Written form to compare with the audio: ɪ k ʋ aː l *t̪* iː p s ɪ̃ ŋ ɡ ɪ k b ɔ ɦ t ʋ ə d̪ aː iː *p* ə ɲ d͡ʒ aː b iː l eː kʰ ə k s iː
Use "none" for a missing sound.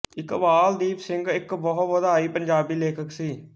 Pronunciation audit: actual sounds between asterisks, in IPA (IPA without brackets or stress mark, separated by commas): d̪, p